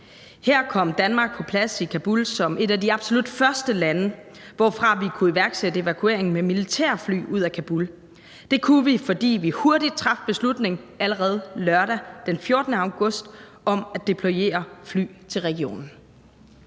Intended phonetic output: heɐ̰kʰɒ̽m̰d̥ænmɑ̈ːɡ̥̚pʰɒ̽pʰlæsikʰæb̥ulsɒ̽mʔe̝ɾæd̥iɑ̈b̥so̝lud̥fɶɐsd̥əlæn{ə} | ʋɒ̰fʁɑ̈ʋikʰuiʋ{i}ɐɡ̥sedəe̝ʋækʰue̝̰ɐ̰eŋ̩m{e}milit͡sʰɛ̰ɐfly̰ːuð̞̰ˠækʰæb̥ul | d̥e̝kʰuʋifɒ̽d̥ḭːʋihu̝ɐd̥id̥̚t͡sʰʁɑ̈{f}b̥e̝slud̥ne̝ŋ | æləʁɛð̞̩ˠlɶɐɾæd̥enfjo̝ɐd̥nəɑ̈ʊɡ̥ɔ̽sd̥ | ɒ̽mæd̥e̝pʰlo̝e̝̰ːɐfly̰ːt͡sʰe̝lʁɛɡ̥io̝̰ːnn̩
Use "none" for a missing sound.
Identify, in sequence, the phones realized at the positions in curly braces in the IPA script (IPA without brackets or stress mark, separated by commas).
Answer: ə, æ, e, f